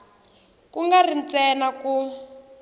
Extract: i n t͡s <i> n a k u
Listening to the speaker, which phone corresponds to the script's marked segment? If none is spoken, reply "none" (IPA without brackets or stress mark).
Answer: ɛ